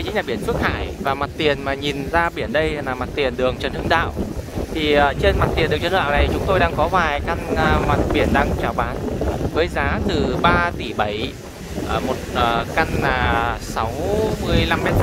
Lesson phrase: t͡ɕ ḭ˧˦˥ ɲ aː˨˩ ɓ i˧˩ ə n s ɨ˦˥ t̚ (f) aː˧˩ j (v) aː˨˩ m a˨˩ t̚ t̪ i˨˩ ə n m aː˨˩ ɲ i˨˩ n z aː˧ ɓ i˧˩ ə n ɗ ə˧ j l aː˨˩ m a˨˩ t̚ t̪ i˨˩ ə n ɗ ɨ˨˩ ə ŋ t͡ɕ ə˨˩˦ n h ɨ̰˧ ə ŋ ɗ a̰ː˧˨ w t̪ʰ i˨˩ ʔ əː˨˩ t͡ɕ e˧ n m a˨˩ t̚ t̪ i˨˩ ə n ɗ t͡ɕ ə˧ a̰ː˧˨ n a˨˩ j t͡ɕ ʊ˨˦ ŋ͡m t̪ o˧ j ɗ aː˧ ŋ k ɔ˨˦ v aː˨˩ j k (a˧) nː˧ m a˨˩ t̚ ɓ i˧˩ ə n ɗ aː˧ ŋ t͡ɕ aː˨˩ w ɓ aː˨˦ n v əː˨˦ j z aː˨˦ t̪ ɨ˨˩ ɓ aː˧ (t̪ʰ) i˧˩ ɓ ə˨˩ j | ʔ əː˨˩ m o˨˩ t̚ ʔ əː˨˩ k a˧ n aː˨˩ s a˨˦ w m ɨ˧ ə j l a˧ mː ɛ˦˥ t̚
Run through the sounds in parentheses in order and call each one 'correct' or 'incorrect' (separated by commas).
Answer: incorrect, correct, correct, incorrect